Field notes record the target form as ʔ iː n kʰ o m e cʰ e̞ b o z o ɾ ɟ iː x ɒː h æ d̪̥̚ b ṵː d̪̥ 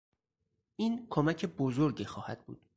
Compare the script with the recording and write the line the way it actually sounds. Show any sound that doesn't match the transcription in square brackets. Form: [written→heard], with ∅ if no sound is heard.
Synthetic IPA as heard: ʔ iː n kʰ o m [e→æ] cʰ e̞ b o z o ɾ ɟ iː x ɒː h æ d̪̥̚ b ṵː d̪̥

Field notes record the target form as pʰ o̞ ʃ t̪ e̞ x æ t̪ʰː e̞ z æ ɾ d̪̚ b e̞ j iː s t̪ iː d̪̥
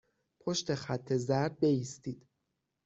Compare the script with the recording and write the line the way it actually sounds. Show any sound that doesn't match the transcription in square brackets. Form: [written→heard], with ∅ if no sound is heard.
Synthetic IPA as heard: pʰ o̞ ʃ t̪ e̞ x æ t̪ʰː e̞ z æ ɾ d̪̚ b e̞ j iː s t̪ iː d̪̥

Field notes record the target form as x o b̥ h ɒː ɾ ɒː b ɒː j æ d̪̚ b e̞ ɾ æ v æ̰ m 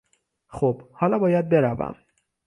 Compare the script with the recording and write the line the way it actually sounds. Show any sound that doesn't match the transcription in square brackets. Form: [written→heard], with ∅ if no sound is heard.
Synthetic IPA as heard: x o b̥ h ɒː [ɾ→l] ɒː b ɒː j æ d̪̚ b e̞ ɾ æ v æ̰ m

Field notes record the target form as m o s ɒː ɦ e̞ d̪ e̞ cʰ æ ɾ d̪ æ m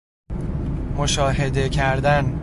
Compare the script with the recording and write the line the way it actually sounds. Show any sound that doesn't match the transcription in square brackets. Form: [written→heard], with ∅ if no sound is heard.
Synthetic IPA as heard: m o [s→ʃ] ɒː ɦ e̞ d̪ e̞ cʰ æ ɾ d̪ æ [m→n]

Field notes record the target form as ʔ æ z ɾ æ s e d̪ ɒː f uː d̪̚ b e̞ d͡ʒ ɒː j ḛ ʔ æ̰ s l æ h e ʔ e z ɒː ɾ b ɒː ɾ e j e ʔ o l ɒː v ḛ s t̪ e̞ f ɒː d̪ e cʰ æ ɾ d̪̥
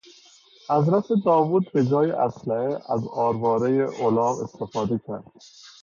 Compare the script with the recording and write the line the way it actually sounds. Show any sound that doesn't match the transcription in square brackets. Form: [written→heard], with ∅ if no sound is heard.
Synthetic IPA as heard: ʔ æ z ɾ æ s e d̪ ɒː [f→v] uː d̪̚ b e̞ d͡ʒ ɒː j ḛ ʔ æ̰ s l æ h e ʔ [e→æ] z ɒː ɾ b ɒː ɾ e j e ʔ o l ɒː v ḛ s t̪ e̞ f ɒː d̪ e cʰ æ ɾ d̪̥

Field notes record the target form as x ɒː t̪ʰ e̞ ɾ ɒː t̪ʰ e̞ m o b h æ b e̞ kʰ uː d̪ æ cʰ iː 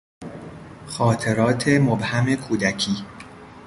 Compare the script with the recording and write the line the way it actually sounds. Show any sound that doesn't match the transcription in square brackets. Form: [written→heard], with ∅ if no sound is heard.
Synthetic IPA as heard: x ɒː t̪ʰ e̞ ɾ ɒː t̪ʰ e̞ m o b h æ [b→m] e̞ kʰ uː d̪ æ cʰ iː

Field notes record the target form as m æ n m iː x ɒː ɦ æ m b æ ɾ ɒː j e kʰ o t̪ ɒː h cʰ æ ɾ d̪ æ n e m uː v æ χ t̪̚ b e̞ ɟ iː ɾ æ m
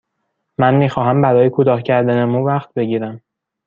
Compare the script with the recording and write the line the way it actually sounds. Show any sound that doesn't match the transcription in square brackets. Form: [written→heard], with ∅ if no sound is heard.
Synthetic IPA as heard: m æ n m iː x ɒː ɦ æ m b æ ɾ ɒː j e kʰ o t̪ ɒː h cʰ æ ɾ d̪ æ n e m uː v æ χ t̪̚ b e̞ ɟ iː ɾ æ m

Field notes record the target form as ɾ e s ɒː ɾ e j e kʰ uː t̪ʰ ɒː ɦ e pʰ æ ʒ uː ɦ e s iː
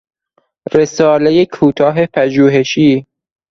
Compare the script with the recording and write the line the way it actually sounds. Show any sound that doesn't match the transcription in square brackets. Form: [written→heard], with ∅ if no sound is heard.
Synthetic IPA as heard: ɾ e s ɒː [ɾ→l] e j e kʰ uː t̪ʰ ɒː ɦ e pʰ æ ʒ uː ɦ e [s→ʃ] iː

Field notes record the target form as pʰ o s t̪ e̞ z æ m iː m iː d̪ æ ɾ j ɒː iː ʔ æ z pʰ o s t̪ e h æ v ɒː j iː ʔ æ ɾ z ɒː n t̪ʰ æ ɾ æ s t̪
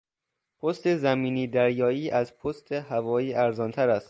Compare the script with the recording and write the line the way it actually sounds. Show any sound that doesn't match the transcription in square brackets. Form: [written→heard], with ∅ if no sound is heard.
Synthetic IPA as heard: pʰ o s t̪ e̞ z æ m iː [m→n] iː d̪ æ ɾ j ɒː iː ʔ æ z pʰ o s t̪ e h æ v ɒː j iː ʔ æ ɾ z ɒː n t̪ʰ æ ɾ æ s t̪

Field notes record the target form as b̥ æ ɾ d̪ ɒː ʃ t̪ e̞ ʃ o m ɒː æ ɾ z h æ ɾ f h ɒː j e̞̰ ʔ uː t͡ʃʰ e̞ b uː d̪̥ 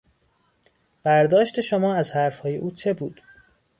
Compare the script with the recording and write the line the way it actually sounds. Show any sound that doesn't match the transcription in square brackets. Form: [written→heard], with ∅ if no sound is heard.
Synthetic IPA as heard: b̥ æ ɾ d̪ ɒː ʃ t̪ e̞ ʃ o m ɒː æ [ɾ→∅] z h æ ɾ f h ɒː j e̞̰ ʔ uː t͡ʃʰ e̞ b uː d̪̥

